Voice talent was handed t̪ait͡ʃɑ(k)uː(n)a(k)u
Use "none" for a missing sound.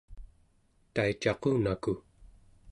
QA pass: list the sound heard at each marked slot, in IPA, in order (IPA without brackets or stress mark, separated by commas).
q, n, k